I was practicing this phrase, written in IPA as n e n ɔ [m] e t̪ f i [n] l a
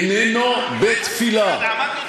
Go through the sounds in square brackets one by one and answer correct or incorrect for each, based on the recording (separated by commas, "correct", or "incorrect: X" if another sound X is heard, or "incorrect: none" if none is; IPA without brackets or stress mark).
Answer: incorrect: b, incorrect: none